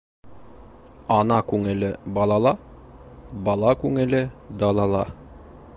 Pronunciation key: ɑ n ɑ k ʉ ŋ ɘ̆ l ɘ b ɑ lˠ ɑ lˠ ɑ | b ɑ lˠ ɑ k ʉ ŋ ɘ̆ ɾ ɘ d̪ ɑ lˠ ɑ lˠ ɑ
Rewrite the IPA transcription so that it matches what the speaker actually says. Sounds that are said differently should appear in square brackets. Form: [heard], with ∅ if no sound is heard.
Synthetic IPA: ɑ n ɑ k ʉ ŋ ɘ̆ l ɘ b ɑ lˠ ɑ lˠ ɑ | b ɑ lˠ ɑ k ʉ ŋ ɘ̆ [l] ɘ d̪ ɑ lˠ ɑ lˠ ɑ